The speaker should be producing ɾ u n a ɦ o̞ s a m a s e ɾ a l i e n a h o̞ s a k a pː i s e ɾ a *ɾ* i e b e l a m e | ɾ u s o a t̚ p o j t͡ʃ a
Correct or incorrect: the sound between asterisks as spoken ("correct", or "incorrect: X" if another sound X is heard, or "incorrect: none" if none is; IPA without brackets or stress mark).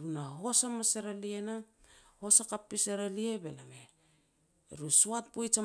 incorrect: l